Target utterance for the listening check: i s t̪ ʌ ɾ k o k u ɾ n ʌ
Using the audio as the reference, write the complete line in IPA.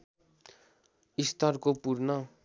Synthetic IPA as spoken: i s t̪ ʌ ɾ k o p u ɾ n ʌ